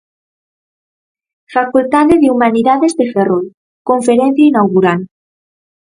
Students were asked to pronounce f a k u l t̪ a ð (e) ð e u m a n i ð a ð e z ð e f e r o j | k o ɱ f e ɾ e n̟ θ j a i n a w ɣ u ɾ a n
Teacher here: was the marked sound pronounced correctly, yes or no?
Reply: yes